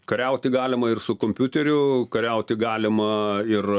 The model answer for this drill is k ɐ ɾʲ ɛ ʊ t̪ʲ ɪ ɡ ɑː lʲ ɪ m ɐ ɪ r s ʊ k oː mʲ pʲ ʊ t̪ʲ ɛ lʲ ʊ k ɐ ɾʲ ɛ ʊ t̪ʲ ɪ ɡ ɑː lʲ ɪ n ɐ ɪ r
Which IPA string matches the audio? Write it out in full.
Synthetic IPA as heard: k ɐ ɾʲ ɛ ʊ t̪ʲ ɪ ɡ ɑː lʲ ɪ m ɐ ɪ r s ʊ k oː mʲ pʲ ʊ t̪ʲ ɛ ɾʲ ʊ k ɐ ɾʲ ɛ ʊ t̪ʲ ɪ ɡ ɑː lʲ ɪ m ɐ ɪ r

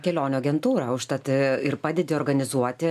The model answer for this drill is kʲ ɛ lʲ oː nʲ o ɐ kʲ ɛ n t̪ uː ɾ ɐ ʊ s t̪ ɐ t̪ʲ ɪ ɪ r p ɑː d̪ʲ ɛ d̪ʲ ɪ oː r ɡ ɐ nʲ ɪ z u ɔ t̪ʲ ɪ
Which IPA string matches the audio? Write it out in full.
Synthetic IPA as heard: kʲ ɛ lʲ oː nʲ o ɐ ɡʲ ɛ n t̪ uː ɾ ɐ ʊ ʃ t̪ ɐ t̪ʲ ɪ ɪ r p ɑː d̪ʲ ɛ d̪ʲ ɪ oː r ɡ ɐ nʲ ɪ z u ɔ t̪ʲ ɪ

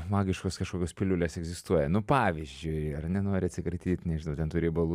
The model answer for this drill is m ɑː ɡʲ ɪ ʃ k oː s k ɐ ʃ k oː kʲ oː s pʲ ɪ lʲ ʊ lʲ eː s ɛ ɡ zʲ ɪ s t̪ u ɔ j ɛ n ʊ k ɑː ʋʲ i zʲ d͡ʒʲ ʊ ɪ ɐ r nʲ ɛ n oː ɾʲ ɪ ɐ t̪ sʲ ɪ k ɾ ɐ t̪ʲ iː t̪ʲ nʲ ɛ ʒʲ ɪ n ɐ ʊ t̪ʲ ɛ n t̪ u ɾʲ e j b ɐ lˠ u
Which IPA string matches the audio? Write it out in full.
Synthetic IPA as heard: m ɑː ɡʲ ɪ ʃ k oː s k ɐ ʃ k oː kʲ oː s pʲ ɪ lʲ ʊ lʲ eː s ɛ ɡ zʲ ɪ s t̪ u ɔ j ɛ n ʊ p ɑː ʋʲ i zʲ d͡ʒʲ ʊ ɪ ɐ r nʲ ɛ n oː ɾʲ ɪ ɐ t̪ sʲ ɪ k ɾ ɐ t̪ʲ iː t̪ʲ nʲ ɛ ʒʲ ɪ n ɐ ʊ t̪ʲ ɛ n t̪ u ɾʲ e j b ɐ lˠ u

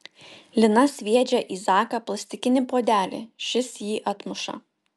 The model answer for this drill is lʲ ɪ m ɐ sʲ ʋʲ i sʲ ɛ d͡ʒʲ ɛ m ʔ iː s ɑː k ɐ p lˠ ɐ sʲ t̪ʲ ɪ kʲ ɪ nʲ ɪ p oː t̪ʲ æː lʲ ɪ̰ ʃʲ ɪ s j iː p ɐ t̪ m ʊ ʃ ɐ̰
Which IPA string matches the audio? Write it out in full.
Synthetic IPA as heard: lʲ ɪ n ɐ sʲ ʋʲ i ɛ d͡ʒʲ ɛ ʔ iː z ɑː k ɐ p lˠ ɐ sʲ t̪ʲ ɪ kʲ ɪ nʲ ɪ p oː d̪ʲ æː lʲ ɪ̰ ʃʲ ɪ s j iː ʔ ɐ t̪ m ʊ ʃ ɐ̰

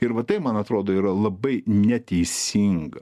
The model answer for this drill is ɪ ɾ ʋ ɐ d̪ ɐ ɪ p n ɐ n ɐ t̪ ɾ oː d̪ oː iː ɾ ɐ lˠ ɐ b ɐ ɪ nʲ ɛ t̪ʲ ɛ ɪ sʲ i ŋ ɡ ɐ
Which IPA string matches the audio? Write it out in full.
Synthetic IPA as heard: ɪ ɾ ʋ ɐ t̪ ɐ ɪ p m ɐ n ɐ t̪ ɾ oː d̪ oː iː ɾ ɐ lˠ ɐ b ɐ ɪ nʲ ɛ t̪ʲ ɛ ɪ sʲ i ŋ ɡ ɐ

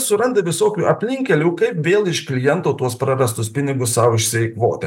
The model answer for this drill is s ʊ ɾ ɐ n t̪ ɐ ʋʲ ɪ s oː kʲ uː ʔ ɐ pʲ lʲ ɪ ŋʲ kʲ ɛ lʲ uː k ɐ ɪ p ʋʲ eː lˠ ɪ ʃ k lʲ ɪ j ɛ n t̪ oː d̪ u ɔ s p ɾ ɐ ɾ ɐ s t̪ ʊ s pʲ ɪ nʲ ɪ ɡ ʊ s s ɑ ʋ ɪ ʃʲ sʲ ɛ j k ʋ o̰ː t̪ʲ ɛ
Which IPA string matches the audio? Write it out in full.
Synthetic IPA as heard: s ʊ ɾ ɐ n d̪ ɐ ʋʲ ɪ s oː kʲ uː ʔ ɐ pʲ lʲ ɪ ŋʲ kʲ ɛ lʲ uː k ɐ ɪ p ʋʲ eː lˠ ɪ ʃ k lʲ ɪ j ɛ n t̪ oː t̪ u ɔ s p ɾ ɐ ɾ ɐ s t̪ ʊ s pʲ ɪ nʲ ɪ ɡ ʊ s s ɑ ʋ ɪ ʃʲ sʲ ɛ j k ʋ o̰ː t̪ʲ ɛ

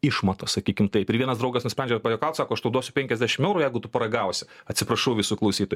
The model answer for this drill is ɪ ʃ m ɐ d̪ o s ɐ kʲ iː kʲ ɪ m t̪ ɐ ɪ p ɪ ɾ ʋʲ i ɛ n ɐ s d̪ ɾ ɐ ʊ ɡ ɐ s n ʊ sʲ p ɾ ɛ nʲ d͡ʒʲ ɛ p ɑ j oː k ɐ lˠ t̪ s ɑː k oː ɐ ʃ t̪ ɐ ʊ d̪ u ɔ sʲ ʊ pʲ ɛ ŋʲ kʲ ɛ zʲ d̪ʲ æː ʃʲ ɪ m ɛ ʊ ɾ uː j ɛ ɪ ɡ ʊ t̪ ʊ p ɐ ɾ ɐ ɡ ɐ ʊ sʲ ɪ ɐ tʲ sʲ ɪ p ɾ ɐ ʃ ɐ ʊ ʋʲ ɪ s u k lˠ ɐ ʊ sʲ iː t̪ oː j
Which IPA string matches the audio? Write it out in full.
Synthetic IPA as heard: ɪ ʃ m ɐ t̪ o s ɐ kʲ iː kʲ ɪ m t̪ ɐ ɪ p ɪ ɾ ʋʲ i ɛ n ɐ s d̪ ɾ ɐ ʊ ɡ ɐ s n ʊ sʲ p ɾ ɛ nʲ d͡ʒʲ ɛ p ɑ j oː k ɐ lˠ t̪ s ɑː k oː ɐ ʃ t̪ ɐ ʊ d̪ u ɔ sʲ ʊ pʲ ɛ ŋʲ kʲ ɛ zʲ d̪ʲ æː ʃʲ ɪ m ɛ ʊ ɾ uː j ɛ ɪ ɡ ʊ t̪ ʊ p ɐ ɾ ɐ ɡ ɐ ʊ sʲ ɪ ɐ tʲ sʲ ɪ p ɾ ɐ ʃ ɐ ʊ ʋʲ ɪ s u k lˠ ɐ ʊ sʲ iː t̪ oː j

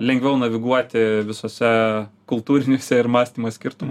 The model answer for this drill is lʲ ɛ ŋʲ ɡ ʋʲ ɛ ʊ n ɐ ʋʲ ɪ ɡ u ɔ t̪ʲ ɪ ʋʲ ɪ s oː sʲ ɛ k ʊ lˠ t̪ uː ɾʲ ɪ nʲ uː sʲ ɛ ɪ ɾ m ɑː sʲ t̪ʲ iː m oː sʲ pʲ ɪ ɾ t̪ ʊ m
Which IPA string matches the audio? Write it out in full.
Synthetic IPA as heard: lʲ ɛ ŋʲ ɡ ʋʲ ɛ ʊ n ɐ ʋʲ ɪ ɡ u ɔ t̪ʲ ɪ ʋʲ ɪ s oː sʲ ɛ k ʊ lˠ t̪ uː ɾʲ ɪ nʲ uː sʲ ɛ ɪ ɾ m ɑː sʲ t̪ʲ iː m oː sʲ kʲ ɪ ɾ t̪ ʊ m

